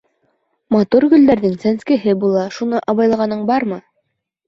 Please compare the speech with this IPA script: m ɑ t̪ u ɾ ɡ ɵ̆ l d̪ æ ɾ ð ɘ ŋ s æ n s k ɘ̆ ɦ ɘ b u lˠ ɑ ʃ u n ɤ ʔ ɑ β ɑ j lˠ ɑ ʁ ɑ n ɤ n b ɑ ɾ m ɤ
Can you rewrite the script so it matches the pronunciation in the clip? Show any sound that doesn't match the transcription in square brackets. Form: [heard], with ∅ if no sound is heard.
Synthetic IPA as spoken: m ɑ t̪ u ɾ ɡ ɵ̆ l d̪ æ ɾ ð ɘ ŋ s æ n s k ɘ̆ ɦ ɘ b u lˠ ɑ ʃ u n ɤ ʔ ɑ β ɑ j lˠ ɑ ʁ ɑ n ɤ [ɴ] b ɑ ɾ m ɤ